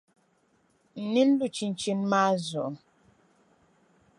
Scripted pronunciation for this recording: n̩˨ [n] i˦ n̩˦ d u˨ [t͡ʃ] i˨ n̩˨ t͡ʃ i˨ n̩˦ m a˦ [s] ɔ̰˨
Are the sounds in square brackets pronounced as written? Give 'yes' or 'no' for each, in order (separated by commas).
yes, yes, no